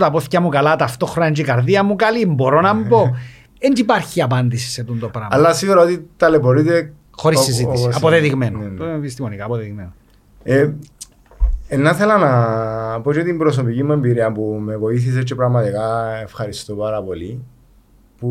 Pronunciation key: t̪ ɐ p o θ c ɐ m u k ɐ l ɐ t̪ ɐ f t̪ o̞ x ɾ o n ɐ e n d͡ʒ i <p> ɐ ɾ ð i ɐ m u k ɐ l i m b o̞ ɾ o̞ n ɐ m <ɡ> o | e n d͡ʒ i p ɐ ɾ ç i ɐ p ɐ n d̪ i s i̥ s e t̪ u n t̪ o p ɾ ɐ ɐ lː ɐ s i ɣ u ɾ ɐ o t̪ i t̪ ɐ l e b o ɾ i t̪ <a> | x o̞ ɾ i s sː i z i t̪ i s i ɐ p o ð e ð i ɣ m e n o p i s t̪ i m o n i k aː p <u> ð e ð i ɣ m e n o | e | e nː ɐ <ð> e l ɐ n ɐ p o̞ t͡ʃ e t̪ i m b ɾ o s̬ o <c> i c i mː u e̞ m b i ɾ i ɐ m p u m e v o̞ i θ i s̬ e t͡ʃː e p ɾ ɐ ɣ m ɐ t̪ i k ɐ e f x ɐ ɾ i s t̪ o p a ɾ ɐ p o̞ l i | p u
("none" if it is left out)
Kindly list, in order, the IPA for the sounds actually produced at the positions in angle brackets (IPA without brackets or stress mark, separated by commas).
k, b, e, o, θ, p